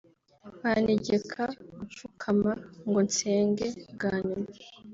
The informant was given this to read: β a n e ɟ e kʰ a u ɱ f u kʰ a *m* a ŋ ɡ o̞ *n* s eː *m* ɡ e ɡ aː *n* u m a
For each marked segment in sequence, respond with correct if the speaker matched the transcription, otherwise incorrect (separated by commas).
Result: correct, correct, incorrect, incorrect